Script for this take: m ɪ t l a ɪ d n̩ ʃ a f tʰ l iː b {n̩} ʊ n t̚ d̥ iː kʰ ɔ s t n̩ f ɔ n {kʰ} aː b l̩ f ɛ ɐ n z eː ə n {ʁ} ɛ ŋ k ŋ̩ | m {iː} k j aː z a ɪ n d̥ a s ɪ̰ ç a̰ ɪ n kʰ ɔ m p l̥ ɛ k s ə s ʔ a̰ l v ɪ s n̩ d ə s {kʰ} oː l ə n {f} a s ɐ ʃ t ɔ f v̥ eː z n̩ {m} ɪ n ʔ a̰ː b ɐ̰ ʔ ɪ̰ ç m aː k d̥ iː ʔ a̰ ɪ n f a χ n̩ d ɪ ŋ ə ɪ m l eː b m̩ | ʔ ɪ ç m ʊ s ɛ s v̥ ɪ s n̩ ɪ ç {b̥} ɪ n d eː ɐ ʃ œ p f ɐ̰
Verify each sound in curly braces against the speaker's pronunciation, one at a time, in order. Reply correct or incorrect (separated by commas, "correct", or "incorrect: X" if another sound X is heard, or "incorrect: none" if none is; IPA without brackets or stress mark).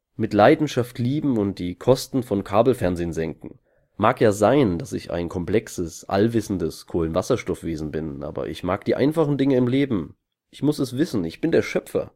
incorrect: m̩, correct, incorrect: z, incorrect: aː, correct, incorrect: v, incorrect: b, correct